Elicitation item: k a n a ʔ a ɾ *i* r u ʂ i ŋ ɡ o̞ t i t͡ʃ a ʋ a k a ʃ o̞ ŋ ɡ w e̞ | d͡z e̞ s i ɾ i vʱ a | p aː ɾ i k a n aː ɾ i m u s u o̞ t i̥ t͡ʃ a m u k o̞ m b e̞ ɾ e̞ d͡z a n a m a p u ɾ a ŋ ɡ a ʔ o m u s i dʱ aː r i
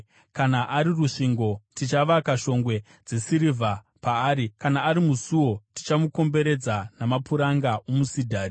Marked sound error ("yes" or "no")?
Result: no